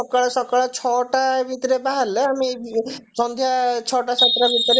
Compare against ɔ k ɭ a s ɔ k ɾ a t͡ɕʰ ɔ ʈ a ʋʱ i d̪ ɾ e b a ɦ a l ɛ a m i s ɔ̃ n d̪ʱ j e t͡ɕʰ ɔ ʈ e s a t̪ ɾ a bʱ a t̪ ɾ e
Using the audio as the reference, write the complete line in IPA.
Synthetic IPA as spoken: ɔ k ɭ a s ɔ k ɭ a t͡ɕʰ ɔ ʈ a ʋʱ i t̪ ɾ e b a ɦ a l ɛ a m i s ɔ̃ n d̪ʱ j a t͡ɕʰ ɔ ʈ a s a t̪ ɾ a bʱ i t̪ ɾ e